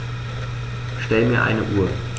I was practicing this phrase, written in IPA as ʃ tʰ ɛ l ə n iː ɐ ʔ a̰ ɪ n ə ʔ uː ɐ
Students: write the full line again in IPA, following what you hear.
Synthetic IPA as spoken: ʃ t ɛ l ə m iː ɐ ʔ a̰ ɪ n ə ʔ uː ɐ